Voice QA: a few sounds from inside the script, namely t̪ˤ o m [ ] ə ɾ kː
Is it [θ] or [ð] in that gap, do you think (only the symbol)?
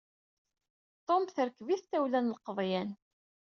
θ